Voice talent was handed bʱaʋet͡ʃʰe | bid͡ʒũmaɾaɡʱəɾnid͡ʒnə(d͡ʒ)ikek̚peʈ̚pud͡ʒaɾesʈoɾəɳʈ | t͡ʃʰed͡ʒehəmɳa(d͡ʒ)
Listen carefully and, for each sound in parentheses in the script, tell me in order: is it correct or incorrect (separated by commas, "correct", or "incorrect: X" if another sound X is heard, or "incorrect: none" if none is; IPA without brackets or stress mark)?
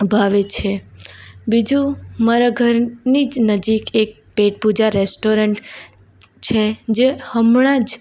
correct, correct